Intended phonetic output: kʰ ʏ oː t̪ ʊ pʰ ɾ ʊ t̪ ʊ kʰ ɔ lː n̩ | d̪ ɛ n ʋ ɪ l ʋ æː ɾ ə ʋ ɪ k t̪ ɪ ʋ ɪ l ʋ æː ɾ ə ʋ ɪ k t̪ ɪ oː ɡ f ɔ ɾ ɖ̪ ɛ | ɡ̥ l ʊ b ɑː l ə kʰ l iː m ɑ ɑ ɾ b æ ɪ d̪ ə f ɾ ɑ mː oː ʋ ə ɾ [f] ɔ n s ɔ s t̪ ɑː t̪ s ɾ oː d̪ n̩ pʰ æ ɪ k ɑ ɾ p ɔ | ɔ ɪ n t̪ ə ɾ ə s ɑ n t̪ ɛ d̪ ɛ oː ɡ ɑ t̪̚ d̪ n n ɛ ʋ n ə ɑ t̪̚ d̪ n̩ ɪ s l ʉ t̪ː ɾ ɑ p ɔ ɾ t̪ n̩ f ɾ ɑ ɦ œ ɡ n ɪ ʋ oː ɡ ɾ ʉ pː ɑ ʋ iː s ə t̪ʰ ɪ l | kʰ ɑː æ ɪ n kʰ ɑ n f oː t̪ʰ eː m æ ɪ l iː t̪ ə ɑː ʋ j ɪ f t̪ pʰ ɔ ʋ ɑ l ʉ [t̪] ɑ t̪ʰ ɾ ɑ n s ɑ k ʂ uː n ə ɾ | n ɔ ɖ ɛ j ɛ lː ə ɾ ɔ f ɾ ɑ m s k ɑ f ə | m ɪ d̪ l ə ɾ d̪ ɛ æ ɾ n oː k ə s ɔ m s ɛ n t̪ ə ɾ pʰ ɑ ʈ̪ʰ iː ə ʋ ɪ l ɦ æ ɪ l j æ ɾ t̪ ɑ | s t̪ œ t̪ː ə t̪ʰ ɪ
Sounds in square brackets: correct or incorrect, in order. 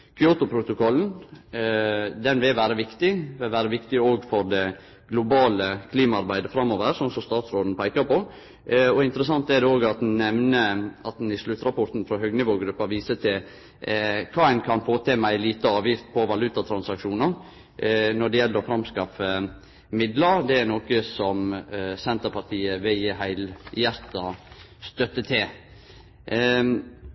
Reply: incorrect: s, correct

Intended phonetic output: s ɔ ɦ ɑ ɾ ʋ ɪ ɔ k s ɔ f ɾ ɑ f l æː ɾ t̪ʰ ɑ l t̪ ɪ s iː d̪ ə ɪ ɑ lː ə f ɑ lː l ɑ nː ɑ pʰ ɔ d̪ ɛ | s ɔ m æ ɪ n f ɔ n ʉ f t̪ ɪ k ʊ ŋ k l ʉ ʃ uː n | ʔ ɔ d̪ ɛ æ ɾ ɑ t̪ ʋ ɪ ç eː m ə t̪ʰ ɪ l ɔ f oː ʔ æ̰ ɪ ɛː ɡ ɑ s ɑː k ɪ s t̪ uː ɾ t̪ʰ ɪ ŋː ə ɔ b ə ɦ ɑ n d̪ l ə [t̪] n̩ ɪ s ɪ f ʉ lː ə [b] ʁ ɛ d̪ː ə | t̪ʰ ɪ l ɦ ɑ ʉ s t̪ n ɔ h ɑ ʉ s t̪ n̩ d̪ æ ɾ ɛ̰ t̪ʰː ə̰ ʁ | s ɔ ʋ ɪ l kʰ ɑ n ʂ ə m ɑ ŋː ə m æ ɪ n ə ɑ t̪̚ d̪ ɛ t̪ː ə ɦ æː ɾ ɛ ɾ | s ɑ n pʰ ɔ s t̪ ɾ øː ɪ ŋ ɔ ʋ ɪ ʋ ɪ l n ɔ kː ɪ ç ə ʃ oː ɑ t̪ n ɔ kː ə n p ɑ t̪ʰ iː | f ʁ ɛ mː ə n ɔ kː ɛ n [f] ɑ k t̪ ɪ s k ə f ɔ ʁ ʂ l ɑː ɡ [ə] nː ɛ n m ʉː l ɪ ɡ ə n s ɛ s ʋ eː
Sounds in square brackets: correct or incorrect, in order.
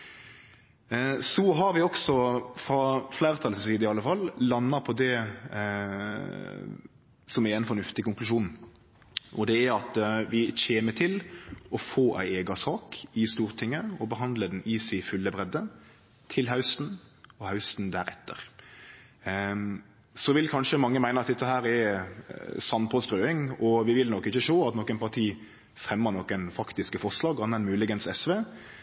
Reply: incorrect: d̪, correct, correct, incorrect: ɑ

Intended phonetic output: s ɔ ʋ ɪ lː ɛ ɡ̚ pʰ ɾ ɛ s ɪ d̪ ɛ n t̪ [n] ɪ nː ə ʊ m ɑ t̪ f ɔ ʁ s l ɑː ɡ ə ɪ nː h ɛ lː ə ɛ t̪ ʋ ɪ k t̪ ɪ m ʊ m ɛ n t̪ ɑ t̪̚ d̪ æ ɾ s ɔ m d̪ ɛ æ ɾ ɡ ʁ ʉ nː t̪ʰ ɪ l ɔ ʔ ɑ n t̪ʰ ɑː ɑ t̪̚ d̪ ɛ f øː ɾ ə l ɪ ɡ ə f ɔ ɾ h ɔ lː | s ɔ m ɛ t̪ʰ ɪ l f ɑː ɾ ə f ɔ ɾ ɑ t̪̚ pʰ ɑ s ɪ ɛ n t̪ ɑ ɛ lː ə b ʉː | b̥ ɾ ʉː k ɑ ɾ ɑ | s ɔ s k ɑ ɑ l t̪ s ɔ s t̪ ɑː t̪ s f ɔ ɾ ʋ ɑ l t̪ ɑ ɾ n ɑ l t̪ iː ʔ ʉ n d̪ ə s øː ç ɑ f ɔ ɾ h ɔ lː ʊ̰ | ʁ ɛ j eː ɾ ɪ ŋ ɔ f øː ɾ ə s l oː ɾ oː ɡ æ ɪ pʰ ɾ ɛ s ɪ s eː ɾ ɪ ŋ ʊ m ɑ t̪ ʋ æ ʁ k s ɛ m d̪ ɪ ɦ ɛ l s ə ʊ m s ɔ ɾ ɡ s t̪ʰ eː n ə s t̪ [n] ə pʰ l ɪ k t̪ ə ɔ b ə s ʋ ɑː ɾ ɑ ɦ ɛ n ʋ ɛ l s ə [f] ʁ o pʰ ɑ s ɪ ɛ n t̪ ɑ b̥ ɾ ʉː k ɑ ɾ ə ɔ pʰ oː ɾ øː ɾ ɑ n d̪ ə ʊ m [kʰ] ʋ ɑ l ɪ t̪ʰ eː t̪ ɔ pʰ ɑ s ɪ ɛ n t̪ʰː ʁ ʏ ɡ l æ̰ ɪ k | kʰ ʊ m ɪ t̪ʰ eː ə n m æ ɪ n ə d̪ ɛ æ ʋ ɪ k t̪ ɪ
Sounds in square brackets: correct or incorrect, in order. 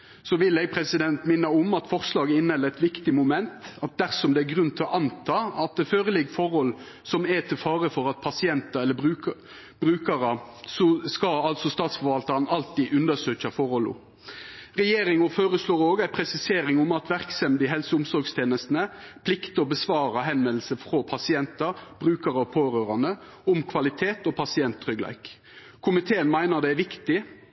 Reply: incorrect: m, correct, correct, correct

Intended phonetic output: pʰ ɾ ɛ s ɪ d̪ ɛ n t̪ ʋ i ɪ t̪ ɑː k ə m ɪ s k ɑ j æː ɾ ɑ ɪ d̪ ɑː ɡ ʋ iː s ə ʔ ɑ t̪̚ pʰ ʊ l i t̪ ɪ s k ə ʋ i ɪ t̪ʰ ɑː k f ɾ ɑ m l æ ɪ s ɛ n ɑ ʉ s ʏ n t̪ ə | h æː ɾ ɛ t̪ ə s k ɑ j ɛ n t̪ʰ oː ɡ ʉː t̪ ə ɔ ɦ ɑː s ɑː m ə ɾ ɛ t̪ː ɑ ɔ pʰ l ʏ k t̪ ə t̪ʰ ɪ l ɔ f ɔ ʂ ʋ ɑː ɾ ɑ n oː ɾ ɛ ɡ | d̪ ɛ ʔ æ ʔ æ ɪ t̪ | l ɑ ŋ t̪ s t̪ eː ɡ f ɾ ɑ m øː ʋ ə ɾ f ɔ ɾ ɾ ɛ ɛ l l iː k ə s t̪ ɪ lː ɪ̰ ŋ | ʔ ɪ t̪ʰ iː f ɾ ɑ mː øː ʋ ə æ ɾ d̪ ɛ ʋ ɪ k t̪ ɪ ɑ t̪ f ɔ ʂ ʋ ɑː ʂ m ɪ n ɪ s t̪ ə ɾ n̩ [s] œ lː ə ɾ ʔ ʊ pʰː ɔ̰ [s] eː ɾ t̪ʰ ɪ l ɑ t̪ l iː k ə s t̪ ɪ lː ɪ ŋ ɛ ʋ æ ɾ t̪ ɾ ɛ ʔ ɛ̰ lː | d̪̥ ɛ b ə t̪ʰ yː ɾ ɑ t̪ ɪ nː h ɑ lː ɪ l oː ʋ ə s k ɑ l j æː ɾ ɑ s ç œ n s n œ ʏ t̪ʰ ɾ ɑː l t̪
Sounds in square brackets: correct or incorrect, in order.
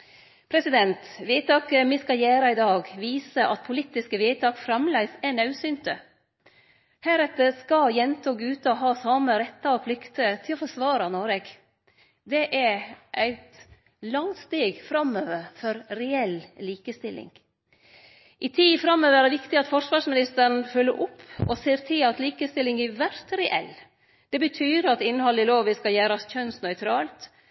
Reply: incorrect: f, correct

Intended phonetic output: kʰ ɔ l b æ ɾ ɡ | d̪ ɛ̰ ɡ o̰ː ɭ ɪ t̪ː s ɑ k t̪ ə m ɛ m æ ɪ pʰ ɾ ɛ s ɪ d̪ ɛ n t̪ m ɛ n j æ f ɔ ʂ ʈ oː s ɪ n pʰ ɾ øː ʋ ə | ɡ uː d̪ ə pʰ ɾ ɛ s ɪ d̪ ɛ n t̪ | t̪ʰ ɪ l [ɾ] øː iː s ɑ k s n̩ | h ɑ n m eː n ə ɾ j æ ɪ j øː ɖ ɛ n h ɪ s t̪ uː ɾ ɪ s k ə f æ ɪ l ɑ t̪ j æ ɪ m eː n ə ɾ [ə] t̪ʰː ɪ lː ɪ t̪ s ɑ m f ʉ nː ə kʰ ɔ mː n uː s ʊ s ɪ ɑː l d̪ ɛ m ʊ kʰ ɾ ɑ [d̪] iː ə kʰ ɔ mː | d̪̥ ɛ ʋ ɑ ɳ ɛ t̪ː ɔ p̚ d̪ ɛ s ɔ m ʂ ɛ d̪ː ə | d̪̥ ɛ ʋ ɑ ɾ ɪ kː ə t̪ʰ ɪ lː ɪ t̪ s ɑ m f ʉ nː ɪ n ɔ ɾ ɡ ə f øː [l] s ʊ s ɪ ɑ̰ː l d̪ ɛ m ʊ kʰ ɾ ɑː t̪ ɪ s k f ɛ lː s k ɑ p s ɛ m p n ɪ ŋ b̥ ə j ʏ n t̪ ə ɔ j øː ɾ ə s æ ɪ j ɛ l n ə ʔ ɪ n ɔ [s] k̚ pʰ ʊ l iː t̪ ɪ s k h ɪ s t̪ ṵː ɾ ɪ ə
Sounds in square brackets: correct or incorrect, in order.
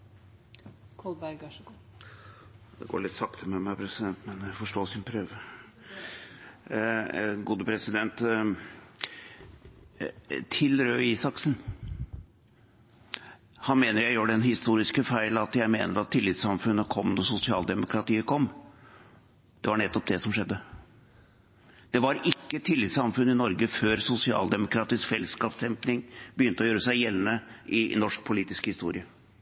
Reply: correct, incorrect: ɑ, incorrect: t̪, incorrect: ɾ, incorrect: ʂ

